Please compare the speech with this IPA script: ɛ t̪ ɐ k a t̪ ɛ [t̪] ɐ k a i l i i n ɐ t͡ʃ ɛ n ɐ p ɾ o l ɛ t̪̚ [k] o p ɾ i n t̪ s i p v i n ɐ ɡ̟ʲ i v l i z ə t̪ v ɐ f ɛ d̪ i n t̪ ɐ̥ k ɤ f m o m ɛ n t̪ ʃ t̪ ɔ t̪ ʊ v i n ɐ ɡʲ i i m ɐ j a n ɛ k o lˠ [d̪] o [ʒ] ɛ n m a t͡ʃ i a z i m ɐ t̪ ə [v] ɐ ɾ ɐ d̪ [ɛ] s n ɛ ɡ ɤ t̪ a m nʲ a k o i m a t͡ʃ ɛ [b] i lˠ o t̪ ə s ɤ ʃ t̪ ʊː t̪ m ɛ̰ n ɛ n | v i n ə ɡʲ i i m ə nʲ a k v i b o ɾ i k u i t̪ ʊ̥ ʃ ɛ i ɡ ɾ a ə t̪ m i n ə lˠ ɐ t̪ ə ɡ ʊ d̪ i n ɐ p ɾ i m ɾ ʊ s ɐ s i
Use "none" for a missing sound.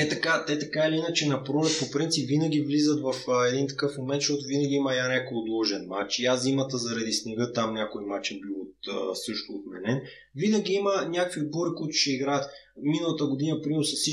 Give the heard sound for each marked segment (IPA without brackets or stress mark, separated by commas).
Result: t̪, p, d̪, ʒ, z, i, b